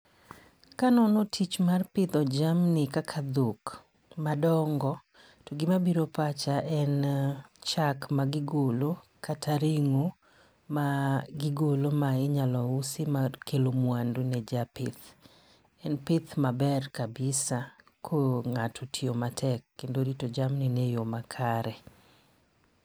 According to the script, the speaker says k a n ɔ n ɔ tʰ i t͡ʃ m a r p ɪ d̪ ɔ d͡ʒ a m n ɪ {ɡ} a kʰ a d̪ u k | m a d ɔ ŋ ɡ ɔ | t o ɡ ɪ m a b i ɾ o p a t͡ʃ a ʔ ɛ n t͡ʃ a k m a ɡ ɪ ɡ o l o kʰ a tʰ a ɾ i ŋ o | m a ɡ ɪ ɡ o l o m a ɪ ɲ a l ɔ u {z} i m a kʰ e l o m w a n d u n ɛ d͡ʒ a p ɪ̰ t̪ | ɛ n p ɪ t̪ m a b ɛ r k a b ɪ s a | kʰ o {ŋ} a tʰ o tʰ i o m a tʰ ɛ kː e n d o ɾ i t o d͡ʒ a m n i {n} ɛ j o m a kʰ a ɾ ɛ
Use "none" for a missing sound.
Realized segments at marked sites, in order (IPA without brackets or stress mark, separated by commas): k, s, ŋ, n